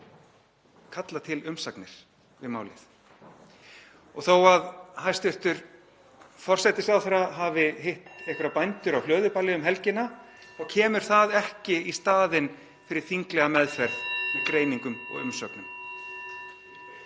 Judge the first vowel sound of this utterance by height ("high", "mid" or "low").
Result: low